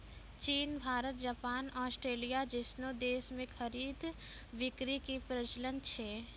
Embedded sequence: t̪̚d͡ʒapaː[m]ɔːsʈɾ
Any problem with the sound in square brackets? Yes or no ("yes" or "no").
yes